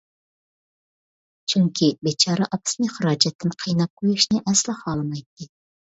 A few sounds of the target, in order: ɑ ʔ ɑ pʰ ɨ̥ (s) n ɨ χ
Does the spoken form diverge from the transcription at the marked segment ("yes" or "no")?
no